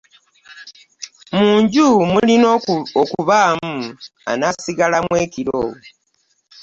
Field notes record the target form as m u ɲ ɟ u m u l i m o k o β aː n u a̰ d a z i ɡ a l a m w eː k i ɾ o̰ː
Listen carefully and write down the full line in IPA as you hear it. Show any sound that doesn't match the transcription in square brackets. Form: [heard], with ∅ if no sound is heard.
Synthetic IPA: m [uː] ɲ ɟ u m u l i [n] o k [u] β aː [m] u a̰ [n] a [s] i ɡ a l a m w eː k i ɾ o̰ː